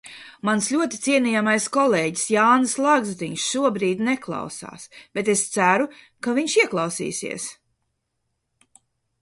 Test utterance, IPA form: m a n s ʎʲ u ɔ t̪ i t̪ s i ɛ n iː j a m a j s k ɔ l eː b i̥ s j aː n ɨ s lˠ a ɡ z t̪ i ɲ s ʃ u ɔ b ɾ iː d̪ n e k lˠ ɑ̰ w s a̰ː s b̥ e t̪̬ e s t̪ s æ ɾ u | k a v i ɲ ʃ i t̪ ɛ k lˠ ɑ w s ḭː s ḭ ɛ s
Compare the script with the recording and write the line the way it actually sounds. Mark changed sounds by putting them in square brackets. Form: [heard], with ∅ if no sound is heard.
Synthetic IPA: m a n s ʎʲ u ɔ t̪ i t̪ s i ɛ n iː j a m a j s k ɔ l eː [ɟ] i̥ s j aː n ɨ s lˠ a ɡ z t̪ i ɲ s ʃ u ɔ b ɾ iː d̪ n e k lˠ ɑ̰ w s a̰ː s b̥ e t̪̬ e s t̪ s æ ɾ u | k a v i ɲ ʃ i [∅] ɛ k lˠ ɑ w s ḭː s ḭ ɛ s